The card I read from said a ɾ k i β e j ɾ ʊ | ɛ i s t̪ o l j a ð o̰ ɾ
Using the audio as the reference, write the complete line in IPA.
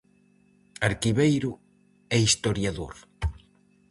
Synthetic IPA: a ɾ k i β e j ɾ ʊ | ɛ i s t̪ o ɾ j a ð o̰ ɾ